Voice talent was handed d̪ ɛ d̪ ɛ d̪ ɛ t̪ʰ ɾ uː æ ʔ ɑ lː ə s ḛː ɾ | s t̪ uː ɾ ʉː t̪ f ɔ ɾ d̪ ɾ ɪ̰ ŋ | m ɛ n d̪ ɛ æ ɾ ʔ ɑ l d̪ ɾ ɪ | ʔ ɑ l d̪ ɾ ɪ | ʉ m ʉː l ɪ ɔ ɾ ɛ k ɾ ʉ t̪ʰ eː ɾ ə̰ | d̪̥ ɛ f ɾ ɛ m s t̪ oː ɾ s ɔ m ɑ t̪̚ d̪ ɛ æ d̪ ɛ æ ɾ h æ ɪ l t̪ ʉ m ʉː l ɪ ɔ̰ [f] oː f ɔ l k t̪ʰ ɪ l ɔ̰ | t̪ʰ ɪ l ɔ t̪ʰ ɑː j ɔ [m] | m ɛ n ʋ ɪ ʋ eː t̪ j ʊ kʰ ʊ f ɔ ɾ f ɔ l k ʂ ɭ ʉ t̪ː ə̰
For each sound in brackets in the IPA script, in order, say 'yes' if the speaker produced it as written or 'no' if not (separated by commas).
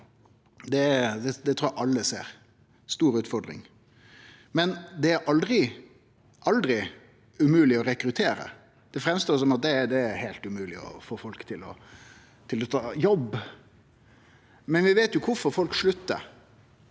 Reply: yes, no